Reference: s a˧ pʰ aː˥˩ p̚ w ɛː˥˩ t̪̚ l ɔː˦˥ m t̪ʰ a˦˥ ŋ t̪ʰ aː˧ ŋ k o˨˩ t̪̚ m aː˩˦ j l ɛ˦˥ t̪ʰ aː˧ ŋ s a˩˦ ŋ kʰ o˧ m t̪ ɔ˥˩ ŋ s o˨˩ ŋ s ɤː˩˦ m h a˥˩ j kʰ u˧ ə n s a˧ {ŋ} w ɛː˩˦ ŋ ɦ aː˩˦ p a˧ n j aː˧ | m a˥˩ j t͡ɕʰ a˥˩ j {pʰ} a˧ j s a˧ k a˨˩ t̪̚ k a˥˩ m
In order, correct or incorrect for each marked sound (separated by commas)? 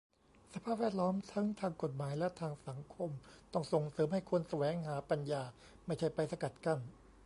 incorrect, incorrect